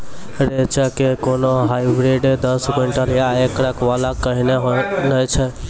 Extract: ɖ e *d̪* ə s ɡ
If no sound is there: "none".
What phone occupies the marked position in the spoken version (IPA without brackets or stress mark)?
d̪